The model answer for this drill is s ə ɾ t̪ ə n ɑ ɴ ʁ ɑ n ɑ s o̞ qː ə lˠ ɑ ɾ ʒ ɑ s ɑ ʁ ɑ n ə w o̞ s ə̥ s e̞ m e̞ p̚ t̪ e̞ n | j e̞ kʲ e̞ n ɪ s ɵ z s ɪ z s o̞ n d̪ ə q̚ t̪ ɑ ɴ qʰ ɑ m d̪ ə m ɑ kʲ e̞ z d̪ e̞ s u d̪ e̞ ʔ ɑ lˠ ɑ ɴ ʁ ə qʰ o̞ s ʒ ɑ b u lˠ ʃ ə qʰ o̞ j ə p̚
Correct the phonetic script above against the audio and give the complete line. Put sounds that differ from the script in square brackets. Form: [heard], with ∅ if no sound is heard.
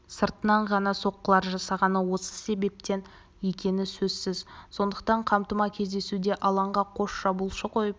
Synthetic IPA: s ə ɾ t̪ ə n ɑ ɴ ʁ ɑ n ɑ s o̞ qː ə lˠ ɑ ɾ ʒ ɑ s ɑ ʁ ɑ n ə w o̞ s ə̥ s e̞ [b] e̞ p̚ t̪ e̞ n | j e̞ kʲ e̞ n ɪ s ɵ z s ɪ z s o̞ n d̪ ə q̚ t̪ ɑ ɴ qʰ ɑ m [t̪] ə m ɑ [kʲʰ] e̞ z d̪ e̞ s u d̪ e̞ ʔ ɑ lˠ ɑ ɴ ʁ [ɑ] qʰ o̞ [ʃ] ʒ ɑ b u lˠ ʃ ə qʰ o̞ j ə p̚